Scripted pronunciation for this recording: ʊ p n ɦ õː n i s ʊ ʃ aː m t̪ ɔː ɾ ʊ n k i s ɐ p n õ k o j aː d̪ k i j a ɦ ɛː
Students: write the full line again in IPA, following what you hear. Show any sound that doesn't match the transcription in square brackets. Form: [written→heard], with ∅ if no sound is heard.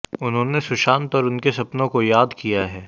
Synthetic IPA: ʊ [p→∅] n ɦ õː n [i→e] s ʊ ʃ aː [m→n] t̪ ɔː ɾ ʊ n k [i→e] s ɐ p n õ k o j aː d̪ k i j a ɦ ɛː